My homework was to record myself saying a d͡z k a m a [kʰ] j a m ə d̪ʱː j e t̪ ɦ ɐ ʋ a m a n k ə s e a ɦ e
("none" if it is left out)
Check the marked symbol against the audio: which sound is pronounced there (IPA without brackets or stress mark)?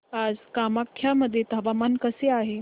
kʰ